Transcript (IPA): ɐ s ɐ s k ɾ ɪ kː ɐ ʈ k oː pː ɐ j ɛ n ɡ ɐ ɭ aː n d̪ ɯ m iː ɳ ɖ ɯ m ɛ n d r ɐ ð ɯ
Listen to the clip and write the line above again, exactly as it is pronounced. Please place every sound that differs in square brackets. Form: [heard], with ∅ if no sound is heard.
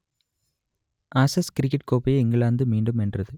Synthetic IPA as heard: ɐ s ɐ s k ɾ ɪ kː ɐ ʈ k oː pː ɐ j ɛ [ŋ] ɡ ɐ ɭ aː n d̪ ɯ m iː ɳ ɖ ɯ m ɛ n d r ɐ ð ɯ